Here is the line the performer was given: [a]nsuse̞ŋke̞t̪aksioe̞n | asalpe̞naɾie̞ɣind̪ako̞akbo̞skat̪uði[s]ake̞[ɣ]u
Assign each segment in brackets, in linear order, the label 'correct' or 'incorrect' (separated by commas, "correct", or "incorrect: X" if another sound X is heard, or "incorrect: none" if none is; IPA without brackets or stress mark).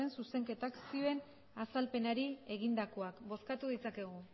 incorrect: e, incorrect: t͡s, correct